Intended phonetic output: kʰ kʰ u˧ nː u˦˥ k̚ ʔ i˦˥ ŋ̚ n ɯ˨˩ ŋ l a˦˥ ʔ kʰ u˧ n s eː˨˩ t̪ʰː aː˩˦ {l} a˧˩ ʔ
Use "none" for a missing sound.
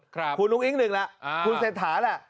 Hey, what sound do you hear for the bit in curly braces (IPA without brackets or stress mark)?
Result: l